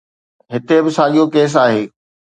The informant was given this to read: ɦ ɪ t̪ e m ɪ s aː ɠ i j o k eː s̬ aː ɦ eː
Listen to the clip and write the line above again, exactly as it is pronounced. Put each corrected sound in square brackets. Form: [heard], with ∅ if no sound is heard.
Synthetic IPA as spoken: ɦ ɪ t̪ e [b] ɪ s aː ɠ i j o k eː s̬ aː ɦ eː